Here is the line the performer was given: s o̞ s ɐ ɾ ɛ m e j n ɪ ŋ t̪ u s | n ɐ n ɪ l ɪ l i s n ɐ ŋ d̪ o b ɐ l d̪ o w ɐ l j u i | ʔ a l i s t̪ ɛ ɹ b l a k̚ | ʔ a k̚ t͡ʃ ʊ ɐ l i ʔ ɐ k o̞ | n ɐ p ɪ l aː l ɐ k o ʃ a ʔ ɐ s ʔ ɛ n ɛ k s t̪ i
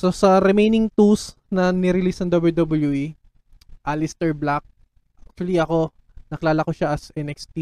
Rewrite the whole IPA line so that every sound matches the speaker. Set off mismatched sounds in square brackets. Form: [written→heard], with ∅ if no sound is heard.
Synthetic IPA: s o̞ s ɐ ɾ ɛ m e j n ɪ ŋ t̪ u s | n ɐ n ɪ [l→ɾ] ɪ l i s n ɐ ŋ d̪ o b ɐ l d̪ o [w→b] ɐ l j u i | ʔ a l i s t̪ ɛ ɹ b l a k̚ | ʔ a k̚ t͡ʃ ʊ ɐ l i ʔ ɐ k o̞ | n ɐ [p→k] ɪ l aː l ɐ k o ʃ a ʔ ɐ s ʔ ɛ n ɛ k s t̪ i